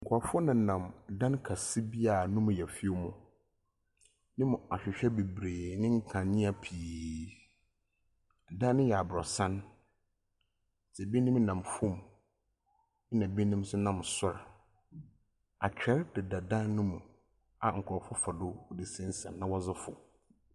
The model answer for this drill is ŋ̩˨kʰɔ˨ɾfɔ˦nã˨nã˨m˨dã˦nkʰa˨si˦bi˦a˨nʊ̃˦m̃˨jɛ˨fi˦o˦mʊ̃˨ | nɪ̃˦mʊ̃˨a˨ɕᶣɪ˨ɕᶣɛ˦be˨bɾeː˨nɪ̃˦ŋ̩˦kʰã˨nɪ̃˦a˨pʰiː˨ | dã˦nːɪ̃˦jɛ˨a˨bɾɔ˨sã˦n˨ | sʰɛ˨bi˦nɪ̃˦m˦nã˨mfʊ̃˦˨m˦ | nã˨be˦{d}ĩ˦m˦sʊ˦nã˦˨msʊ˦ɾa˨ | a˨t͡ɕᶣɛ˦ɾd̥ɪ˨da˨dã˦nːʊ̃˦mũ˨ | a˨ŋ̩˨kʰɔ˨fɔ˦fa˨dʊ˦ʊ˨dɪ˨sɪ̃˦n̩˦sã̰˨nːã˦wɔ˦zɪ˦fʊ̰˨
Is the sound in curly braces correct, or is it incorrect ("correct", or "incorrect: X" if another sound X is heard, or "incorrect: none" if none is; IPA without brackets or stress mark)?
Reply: incorrect: n